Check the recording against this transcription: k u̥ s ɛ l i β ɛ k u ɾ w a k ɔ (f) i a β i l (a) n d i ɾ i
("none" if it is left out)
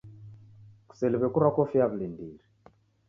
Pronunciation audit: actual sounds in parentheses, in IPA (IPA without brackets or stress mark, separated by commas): f, i